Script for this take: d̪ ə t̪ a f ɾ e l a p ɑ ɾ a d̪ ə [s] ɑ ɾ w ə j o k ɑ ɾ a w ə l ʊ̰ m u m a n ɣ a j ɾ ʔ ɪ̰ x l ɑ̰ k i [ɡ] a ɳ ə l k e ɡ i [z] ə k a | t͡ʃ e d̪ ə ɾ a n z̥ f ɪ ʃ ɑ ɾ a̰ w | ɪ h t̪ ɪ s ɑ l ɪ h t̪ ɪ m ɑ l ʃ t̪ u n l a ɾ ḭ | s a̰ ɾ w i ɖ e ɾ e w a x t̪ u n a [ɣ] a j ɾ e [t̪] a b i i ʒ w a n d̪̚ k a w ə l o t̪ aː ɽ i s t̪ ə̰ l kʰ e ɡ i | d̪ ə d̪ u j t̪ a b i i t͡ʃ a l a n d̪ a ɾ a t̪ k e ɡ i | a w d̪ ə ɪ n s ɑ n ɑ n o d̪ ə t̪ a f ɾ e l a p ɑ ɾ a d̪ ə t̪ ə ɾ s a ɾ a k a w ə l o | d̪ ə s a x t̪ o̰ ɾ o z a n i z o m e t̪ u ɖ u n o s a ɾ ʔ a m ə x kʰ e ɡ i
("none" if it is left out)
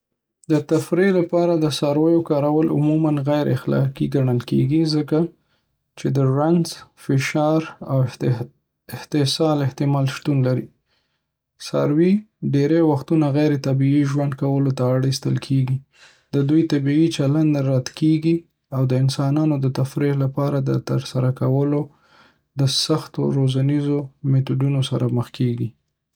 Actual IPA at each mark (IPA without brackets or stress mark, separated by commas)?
s, ɡ, z, ɣ, t̪